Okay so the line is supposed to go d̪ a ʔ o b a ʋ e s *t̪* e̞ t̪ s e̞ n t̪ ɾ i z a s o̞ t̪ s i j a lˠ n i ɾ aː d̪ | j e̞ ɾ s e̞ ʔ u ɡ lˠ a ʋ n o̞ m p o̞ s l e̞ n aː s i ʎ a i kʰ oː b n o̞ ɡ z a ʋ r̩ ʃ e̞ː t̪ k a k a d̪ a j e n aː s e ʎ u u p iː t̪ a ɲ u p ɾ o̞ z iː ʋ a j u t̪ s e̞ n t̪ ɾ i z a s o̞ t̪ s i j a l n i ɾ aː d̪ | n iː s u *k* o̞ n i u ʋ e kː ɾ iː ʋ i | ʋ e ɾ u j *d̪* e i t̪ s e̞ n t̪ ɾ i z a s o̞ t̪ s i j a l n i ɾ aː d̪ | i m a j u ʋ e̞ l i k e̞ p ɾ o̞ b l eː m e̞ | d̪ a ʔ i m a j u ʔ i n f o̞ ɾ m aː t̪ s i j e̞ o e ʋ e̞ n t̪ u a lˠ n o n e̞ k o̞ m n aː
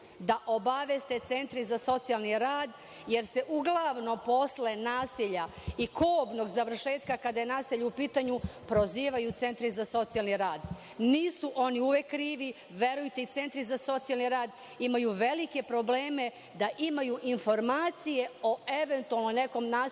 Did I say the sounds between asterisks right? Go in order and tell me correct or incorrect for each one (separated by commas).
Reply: correct, incorrect, incorrect